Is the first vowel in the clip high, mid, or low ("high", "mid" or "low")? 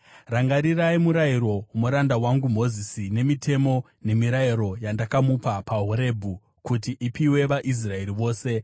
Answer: low